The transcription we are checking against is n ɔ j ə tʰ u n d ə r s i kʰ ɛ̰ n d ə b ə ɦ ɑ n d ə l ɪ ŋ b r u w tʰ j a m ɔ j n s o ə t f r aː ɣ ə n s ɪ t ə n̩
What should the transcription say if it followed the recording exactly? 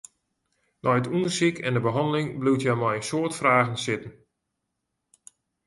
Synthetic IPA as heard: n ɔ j ə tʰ u n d ə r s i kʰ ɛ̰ n d ə b ə ɦ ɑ n d ə l ɪ ŋ b l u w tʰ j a m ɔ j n s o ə t f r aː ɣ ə n s ɪ t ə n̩